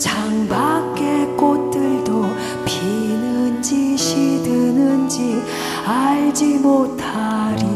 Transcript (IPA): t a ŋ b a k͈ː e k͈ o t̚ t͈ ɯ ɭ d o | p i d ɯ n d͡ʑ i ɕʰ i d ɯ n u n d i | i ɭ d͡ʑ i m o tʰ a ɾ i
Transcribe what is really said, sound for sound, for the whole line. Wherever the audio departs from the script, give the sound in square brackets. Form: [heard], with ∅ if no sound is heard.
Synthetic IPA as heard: [t͡ɕ] a ŋ b a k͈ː e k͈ o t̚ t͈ ɯ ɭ d o | p i [n] ɯ n d͡ʑ i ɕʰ i d ɯ n [ɯ] n [d͡ʑ] i | [a] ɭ d͡ʑ i m o tʰ a ɾ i